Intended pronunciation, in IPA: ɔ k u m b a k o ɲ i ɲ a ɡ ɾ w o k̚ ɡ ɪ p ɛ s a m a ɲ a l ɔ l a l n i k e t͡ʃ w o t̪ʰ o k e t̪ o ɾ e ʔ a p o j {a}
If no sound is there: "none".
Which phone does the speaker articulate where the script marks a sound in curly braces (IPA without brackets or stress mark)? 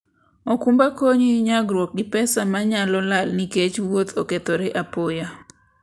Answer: a